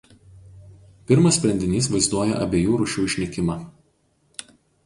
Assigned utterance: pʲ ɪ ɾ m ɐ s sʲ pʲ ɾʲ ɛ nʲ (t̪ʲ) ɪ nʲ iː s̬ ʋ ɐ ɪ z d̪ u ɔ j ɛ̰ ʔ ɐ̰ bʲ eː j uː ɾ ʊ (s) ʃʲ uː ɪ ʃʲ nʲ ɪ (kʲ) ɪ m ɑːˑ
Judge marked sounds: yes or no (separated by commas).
no, no, yes